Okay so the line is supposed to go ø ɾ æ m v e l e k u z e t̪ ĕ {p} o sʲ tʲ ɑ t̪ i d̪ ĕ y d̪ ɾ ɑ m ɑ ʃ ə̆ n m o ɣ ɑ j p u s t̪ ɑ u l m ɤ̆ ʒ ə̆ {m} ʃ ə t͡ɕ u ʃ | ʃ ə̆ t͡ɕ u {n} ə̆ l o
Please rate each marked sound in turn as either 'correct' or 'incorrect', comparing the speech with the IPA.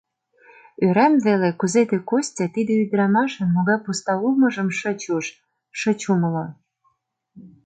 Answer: incorrect, correct, incorrect

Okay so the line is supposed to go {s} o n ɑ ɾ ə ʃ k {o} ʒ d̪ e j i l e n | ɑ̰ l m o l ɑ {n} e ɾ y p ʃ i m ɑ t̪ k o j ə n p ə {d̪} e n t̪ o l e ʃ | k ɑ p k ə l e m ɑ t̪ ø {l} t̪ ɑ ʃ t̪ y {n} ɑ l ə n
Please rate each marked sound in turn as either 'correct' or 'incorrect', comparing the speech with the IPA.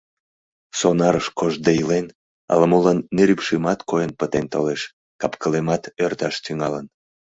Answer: correct, correct, incorrect, incorrect, incorrect, incorrect

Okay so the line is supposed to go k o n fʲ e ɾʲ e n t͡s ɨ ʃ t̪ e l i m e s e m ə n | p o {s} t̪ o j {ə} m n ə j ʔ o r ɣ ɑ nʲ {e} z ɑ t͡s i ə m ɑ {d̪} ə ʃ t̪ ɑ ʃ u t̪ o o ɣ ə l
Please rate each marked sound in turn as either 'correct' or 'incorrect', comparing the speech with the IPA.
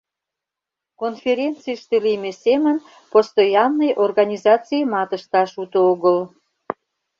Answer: correct, incorrect, incorrect, incorrect

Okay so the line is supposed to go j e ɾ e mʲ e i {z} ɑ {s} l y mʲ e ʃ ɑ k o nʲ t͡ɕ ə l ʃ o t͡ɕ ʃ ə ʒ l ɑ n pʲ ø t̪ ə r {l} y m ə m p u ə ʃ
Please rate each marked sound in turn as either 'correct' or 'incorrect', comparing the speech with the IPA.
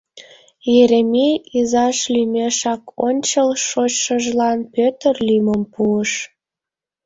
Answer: correct, incorrect, correct

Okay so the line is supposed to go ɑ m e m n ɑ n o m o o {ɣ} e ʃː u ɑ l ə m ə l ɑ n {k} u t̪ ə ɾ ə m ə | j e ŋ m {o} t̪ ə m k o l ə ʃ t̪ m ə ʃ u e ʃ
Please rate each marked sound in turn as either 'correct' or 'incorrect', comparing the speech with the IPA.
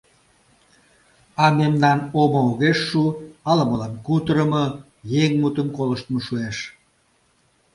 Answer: correct, correct, incorrect

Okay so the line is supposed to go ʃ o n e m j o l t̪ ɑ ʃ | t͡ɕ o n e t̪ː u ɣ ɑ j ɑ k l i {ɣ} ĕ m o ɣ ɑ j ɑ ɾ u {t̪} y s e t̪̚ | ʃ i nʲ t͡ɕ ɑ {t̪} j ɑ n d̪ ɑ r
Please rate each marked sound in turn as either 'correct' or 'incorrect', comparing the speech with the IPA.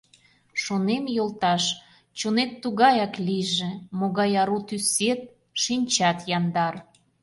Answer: incorrect, correct, correct

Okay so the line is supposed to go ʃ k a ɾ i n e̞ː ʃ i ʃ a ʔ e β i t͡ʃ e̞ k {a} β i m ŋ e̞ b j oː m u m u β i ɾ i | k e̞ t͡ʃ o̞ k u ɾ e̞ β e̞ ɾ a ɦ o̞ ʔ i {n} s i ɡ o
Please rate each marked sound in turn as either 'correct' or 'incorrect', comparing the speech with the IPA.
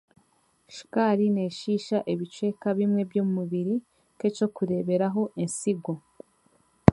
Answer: correct, correct

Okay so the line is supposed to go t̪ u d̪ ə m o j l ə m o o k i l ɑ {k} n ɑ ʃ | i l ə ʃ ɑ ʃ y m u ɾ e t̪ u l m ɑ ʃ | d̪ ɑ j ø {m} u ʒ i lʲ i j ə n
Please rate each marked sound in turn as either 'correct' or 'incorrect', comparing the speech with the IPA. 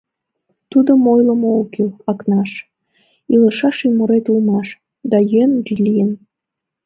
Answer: correct, incorrect

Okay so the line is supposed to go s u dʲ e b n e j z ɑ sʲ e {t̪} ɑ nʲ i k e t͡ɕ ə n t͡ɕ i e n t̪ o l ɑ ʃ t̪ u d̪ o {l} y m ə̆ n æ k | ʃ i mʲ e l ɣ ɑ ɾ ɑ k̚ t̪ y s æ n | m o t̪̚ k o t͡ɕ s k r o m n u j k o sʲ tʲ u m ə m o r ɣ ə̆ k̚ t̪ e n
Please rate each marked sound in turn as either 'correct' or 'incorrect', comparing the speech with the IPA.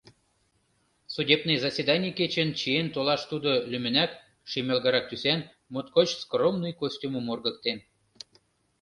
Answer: incorrect, correct

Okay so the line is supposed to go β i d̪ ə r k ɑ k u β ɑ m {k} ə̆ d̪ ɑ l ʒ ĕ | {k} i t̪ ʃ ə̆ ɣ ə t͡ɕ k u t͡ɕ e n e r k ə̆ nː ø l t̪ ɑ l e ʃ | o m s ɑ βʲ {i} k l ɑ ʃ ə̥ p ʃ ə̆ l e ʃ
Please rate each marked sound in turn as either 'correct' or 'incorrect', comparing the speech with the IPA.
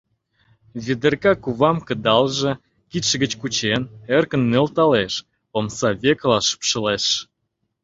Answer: correct, correct, incorrect

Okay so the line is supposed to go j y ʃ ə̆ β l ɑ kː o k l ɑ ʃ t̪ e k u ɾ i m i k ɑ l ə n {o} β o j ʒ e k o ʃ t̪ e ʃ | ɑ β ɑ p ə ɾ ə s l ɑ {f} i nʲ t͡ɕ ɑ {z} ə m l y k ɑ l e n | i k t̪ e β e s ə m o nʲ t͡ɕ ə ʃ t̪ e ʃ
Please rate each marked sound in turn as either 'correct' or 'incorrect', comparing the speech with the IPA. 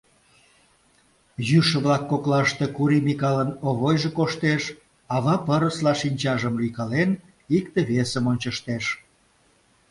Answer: correct, incorrect, incorrect

